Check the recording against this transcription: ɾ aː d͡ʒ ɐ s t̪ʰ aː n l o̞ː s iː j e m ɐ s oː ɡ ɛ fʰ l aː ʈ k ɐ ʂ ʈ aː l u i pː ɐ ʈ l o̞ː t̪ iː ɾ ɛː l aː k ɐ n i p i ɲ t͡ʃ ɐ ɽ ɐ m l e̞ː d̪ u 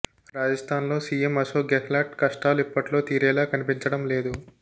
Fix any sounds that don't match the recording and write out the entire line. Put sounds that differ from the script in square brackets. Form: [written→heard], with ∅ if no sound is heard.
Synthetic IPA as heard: ɾ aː d͡ʒ ɐ s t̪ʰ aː n l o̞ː s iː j e m ɐ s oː ɡ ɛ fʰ l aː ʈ k ɐ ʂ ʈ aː l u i pː ɐ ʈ l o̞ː t̪ iː ɾ ɛː l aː k ɐ n i p i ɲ t͡ʃ ɐ ɽ ɐ m l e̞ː d̪ u